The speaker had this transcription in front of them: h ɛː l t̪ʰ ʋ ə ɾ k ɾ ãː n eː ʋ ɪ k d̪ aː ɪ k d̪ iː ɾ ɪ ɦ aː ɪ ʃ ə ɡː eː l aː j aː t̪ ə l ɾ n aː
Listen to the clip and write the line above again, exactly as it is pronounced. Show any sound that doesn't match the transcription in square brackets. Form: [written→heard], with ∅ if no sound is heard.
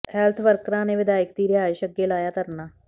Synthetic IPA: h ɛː l t̪ʰ ʋ ə ɾ k ɾ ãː n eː ʋ ɪ [k→∅] d̪ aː ɪ k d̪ iː ɾ ɪ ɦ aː ɪ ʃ ə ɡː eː l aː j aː t̪ ə [l→∅] ɾ n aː